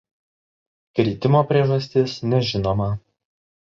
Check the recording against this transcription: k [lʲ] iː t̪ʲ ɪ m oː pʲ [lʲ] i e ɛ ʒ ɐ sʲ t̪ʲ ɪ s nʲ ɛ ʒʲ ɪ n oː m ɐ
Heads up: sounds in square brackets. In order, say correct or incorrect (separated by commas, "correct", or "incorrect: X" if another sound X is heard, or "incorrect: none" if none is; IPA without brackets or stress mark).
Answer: incorrect: ɾʲ, incorrect: ɾʲ